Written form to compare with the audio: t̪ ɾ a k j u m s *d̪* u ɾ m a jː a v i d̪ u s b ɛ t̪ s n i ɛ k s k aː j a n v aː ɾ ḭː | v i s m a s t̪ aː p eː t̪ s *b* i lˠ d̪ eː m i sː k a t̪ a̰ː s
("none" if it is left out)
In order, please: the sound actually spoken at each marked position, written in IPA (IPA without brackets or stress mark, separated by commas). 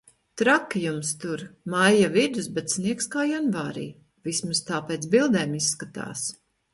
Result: t̪, b